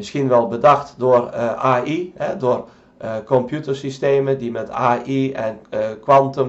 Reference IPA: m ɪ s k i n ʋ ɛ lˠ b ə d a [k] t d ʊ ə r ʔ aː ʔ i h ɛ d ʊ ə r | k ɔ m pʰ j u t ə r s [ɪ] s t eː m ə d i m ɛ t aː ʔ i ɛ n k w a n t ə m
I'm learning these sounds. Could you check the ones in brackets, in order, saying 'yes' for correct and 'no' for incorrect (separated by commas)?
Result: no, no